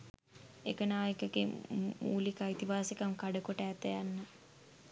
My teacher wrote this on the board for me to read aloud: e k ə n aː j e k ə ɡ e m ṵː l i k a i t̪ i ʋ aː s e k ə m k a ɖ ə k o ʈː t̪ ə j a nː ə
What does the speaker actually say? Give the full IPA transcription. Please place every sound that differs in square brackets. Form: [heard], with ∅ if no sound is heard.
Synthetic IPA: e k ə n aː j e k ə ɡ e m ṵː l i k a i t̪ i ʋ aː s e k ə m k a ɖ ə k o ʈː t̪ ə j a nː ə